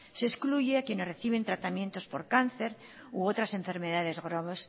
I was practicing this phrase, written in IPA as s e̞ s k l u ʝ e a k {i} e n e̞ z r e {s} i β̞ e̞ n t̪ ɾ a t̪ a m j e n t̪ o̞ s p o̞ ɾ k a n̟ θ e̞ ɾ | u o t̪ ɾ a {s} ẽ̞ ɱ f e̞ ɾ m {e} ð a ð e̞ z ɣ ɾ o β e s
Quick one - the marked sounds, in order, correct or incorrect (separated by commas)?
incorrect, incorrect, correct, correct